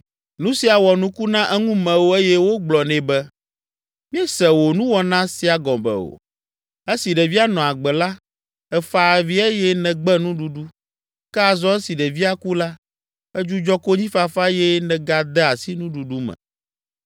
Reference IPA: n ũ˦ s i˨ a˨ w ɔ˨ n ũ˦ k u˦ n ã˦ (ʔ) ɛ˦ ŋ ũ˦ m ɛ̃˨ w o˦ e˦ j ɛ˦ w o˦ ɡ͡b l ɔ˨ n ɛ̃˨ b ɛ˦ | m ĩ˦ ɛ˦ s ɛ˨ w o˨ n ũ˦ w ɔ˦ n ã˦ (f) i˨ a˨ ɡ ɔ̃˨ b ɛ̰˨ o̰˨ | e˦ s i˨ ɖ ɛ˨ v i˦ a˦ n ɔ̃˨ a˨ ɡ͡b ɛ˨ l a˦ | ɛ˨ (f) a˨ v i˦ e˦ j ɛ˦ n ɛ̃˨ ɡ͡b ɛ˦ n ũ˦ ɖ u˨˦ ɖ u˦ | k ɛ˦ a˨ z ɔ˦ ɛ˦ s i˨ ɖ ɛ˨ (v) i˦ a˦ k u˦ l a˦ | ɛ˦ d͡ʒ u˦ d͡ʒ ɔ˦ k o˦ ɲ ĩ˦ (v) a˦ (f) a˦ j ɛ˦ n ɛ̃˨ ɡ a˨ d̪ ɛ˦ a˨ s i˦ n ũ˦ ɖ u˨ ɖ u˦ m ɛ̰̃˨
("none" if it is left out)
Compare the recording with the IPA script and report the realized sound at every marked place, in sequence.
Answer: ʔ, s, f, v, f, f

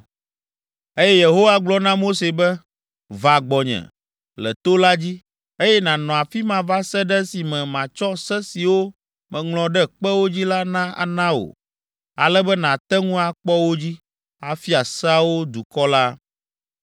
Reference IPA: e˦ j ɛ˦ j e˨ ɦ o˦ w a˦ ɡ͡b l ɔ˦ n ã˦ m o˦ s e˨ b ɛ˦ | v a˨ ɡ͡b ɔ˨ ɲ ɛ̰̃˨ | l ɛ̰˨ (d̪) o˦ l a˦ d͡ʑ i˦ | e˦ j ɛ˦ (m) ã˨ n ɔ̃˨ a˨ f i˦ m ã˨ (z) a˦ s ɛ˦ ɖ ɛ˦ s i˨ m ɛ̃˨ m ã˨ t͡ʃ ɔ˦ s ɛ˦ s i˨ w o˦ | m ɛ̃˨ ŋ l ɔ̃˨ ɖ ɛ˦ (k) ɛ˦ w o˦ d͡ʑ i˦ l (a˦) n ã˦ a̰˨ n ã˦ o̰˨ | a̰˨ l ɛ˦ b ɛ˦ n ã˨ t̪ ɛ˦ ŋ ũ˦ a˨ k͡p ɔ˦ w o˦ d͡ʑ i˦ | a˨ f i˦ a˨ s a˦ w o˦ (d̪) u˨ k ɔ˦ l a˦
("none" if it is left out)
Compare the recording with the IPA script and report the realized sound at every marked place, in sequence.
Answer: t̪, n, v, k͡p, a˦, d̪

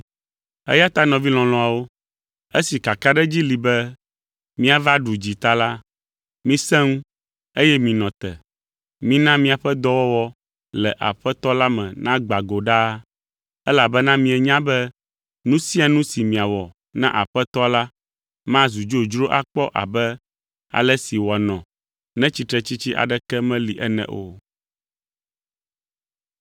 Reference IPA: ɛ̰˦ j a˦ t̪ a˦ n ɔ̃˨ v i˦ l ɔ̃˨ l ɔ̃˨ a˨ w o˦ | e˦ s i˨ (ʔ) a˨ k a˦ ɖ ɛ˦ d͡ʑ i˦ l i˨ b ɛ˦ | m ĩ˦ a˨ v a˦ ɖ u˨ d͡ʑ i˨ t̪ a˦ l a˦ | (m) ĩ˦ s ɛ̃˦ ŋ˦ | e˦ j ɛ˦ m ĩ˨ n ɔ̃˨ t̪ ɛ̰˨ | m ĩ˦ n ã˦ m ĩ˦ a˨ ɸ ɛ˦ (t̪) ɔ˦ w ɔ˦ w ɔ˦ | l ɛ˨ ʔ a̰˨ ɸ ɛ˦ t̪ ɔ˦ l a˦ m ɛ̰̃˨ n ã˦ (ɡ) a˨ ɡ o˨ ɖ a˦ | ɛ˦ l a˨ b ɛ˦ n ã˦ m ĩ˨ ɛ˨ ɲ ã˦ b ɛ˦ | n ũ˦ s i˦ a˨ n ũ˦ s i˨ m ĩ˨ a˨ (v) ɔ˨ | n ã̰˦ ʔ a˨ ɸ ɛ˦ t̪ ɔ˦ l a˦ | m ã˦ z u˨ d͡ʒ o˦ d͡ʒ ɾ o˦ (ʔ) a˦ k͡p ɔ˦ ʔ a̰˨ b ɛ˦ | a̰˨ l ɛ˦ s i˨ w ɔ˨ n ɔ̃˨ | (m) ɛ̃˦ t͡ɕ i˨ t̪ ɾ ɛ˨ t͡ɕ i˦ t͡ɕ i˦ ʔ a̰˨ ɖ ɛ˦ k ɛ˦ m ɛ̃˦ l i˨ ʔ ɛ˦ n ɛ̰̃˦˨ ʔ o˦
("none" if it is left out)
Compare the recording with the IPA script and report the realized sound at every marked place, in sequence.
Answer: k, m, d̪, ɡ͡b, w, ʔ, n

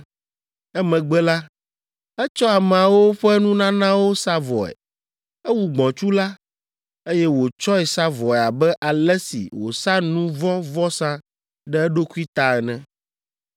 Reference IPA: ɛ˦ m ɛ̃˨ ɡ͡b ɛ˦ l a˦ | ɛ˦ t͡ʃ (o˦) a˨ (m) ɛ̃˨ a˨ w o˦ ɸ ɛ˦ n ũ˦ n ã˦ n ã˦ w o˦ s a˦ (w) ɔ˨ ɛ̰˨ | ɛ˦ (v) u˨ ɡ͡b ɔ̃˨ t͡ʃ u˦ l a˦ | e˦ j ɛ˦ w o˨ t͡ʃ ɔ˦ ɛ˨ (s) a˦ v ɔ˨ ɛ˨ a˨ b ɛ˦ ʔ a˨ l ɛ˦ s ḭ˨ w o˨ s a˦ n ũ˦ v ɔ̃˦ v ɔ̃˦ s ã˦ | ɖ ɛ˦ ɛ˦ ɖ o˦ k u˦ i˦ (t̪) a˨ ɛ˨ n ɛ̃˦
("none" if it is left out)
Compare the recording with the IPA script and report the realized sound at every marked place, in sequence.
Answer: ɔ˦, m, v, w, s, t̪

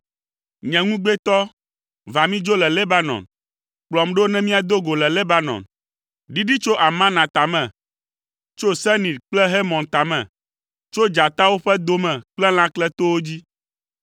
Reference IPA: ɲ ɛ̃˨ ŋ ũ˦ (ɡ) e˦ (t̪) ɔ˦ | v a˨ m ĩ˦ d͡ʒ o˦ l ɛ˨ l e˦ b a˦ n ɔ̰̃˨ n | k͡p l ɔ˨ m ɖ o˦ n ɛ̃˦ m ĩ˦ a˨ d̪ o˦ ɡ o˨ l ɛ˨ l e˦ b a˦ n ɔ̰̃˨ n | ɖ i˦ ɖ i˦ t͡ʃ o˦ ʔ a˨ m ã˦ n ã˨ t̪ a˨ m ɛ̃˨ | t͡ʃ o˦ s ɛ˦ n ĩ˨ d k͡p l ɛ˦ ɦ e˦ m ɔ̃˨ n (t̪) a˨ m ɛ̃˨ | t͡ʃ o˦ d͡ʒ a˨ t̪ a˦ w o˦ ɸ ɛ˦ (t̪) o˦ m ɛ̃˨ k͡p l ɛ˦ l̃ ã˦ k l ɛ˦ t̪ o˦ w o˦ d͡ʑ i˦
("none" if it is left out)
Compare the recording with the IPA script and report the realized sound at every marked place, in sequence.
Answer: ɡ͡b, t̪, t̪, d̪

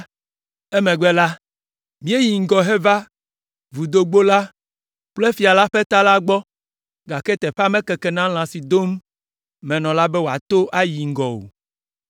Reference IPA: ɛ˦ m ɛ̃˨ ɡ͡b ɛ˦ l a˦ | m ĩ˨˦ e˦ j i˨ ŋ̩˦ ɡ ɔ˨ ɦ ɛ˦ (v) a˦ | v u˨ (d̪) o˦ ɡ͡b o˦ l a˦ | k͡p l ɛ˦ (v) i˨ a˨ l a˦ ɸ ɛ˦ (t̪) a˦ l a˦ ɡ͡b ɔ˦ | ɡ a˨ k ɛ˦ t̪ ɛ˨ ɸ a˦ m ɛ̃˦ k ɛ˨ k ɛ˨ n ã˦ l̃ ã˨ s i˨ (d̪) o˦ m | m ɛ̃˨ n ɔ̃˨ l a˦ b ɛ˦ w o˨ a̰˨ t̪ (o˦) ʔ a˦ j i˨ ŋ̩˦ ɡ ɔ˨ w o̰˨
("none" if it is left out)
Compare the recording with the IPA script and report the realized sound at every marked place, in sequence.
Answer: v, d̪, f, t̪, d̪, o˦

